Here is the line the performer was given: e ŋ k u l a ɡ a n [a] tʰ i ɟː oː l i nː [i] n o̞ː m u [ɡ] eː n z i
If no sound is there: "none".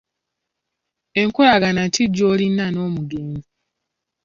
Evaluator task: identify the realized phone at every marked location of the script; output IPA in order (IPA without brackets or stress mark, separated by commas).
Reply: a, a, ɡ